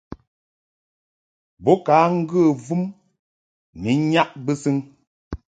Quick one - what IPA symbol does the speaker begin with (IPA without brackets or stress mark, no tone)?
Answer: b